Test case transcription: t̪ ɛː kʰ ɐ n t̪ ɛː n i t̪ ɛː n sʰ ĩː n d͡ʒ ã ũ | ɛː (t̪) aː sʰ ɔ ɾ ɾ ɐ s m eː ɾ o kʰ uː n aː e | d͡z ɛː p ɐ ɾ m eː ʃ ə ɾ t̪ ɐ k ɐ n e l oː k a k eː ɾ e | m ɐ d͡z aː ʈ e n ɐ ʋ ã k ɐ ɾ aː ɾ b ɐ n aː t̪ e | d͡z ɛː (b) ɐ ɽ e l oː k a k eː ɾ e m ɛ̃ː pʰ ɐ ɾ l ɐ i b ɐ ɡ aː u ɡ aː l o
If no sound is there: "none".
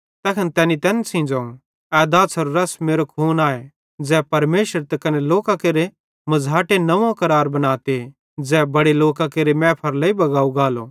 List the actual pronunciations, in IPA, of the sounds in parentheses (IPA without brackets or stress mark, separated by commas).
d̪, b